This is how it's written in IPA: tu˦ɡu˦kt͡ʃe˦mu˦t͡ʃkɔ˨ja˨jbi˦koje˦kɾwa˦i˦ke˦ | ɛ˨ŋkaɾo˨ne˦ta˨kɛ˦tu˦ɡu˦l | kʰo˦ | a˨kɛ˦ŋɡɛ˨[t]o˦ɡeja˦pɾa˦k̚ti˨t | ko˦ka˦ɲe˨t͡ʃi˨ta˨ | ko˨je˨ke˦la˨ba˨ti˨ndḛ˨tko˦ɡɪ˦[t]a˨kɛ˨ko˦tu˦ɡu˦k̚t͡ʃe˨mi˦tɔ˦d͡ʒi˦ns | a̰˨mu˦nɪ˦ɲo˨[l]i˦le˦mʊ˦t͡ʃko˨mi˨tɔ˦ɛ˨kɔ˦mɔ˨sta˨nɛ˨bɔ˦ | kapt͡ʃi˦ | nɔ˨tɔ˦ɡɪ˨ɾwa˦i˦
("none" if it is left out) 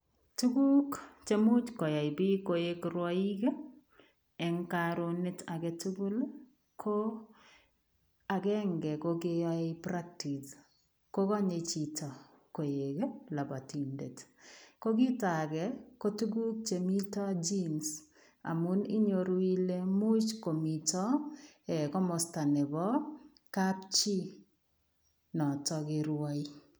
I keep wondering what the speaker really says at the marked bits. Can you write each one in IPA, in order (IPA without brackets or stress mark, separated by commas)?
k, t, ɾ